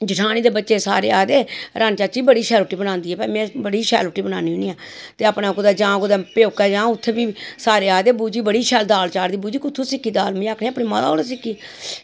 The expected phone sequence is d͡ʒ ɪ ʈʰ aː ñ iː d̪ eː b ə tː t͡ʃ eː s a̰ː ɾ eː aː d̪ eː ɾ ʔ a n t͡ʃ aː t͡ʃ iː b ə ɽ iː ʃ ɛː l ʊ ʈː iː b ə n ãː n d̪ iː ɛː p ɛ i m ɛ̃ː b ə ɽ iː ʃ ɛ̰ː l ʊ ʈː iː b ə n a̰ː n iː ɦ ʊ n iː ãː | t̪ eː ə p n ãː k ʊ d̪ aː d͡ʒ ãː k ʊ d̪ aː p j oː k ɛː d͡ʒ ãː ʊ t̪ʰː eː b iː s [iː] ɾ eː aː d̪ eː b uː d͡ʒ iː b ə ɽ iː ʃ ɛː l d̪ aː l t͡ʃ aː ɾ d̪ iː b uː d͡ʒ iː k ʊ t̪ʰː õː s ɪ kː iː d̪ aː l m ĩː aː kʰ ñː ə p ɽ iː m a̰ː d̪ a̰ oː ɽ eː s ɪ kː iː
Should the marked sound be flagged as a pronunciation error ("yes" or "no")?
yes